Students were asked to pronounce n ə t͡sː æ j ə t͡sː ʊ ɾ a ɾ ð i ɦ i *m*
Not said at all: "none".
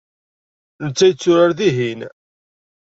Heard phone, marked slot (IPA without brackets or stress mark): n